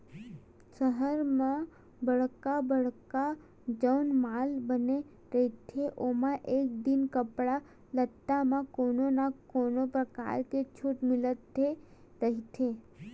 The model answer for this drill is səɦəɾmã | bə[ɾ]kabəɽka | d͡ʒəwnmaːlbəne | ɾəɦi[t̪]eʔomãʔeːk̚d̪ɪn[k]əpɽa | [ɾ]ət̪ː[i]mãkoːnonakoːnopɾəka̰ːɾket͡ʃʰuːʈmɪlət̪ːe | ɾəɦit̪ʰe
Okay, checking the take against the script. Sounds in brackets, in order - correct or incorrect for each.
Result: incorrect: ɽ, incorrect: t̪ʰ, correct, incorrect: l, incorrect: a

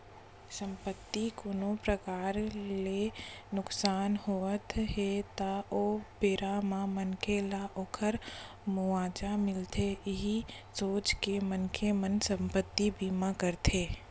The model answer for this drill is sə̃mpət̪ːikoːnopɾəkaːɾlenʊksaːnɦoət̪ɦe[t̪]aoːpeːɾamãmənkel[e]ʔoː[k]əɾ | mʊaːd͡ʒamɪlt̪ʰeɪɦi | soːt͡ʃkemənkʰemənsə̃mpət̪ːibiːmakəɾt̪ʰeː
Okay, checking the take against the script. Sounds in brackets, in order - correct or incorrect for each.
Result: correct, incorrect: a, incorrect: kʰ

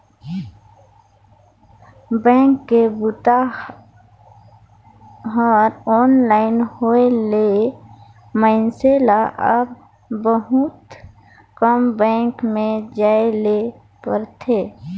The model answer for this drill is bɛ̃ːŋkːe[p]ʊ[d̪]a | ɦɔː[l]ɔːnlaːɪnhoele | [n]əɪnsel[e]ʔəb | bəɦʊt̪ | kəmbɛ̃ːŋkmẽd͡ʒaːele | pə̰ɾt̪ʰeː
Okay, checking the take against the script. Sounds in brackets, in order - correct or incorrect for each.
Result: incorrect: b, incorrect: t̪, incorrect: ɾ, incorrect: m, incorrect: a

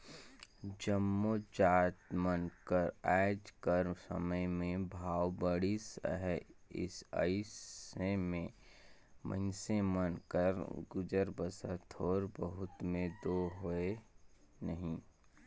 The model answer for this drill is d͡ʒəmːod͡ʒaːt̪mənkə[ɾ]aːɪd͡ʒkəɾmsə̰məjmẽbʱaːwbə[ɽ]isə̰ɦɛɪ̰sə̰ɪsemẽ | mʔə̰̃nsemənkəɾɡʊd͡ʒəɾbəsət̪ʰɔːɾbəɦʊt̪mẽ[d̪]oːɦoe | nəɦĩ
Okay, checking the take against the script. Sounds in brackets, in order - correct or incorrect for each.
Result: correct, correct, correct

